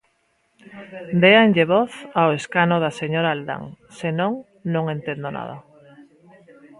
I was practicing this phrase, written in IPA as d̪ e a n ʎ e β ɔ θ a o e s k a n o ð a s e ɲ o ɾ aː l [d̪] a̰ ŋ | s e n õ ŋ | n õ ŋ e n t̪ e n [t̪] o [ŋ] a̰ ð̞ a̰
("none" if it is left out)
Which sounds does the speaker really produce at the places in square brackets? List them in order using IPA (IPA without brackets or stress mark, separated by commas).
d̪, d̪, n